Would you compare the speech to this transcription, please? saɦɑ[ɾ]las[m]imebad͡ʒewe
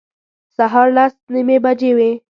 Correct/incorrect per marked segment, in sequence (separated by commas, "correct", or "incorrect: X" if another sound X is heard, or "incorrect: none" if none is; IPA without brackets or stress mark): correct, incorrect: n